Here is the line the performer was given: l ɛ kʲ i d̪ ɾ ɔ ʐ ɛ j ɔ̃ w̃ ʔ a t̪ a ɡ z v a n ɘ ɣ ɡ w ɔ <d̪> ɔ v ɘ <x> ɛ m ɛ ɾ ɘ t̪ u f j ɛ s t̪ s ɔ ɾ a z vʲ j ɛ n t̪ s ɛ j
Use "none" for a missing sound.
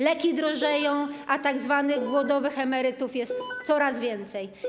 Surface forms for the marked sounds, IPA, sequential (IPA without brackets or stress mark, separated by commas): d̪, x